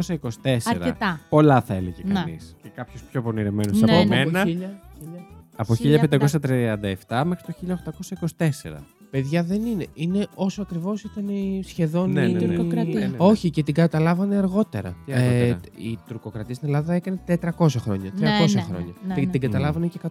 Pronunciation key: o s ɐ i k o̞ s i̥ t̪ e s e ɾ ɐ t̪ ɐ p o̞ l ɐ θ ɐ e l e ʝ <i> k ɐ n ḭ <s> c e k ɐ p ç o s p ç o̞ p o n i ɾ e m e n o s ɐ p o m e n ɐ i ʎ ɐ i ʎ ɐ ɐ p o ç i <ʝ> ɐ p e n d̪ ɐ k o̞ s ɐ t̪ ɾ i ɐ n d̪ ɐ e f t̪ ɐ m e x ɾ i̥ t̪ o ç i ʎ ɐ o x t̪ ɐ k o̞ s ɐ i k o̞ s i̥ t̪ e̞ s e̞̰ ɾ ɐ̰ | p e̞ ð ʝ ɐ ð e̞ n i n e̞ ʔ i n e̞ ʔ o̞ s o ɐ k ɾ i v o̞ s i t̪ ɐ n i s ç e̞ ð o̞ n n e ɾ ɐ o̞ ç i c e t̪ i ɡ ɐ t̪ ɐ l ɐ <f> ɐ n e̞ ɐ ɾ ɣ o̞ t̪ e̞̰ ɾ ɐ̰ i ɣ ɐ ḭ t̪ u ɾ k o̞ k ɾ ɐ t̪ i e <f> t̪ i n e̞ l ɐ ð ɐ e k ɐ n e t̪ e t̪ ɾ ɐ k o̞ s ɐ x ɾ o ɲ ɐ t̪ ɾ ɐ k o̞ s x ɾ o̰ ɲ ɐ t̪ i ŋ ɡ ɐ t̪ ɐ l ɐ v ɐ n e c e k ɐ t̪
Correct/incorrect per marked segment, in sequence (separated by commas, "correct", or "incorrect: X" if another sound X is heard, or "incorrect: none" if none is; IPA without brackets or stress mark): incorrect: e, correct, incorrect: ʎ, incorrect: v, incorrect: s